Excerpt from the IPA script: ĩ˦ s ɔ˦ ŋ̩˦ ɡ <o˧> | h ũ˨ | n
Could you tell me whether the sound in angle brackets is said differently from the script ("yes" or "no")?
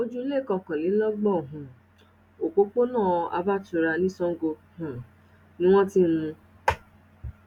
no